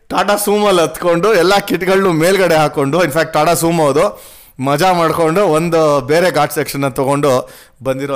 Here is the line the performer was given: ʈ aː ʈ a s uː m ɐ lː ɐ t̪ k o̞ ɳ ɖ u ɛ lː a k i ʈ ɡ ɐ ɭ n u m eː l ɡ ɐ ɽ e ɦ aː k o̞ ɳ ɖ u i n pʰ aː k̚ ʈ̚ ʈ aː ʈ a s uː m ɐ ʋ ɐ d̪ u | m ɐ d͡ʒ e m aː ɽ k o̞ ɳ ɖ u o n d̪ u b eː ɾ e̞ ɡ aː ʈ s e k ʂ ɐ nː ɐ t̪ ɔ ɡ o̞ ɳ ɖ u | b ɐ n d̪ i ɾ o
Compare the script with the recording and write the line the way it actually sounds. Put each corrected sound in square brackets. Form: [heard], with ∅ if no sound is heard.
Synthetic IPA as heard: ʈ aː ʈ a s uː m ɐ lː ɐ t̪ k o̞ ɳ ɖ u ɛ lː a k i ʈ ɡ ɐ ɭ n u m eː l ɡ ɐ ɽ e ɦ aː k o̞ ɳ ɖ u i n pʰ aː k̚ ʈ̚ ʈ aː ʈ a s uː m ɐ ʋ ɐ d̪ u | m ɐ d͡ʒ [a] m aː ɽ k o̞ ɳ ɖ u o n d̪ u b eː ɾ e̞ ɡ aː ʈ s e k ʂ ɐ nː ɐ t̪ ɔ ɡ o̞ ɳ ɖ u | b ɐ n d̪ i ɾ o